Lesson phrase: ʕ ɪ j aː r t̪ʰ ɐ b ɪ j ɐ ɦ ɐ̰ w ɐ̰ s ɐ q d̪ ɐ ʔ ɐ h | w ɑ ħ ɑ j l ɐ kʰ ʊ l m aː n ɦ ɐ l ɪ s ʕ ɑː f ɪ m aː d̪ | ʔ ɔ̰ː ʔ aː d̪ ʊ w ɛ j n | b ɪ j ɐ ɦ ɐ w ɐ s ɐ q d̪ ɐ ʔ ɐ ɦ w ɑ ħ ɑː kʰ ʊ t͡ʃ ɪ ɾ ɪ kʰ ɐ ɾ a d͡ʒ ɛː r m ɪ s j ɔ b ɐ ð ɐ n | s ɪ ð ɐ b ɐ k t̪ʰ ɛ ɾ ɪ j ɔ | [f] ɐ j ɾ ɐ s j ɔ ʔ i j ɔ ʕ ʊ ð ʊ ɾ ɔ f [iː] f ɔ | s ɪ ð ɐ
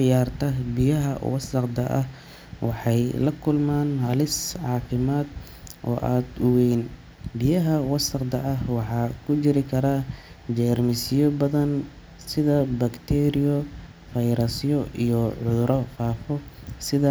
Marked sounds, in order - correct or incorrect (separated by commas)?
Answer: correct, incorrect